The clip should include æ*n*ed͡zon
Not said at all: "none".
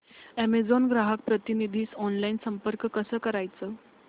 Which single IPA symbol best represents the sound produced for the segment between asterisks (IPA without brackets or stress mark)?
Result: m